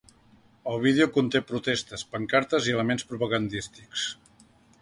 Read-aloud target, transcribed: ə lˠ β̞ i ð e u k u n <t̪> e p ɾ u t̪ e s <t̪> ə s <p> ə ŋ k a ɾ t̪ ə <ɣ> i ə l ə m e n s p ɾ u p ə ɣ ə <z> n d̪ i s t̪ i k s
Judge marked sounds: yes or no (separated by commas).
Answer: yes, yes, yes, no, no